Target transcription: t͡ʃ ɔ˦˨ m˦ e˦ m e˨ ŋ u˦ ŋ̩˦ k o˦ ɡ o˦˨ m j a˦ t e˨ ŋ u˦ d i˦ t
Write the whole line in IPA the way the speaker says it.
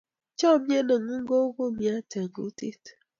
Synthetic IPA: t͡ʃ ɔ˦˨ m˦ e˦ n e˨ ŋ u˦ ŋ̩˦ ɡ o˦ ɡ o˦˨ m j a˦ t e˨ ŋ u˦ t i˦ t